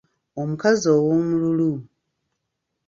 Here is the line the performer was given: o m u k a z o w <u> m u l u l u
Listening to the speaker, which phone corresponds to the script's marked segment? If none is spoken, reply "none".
o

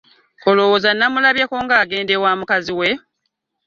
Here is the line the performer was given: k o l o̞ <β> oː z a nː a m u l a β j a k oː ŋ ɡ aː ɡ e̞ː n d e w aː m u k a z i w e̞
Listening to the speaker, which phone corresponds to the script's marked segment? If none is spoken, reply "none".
w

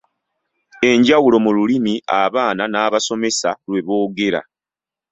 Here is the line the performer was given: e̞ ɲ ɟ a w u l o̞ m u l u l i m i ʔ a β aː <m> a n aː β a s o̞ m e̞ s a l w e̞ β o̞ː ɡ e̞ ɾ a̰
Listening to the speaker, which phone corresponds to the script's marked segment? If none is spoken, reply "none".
n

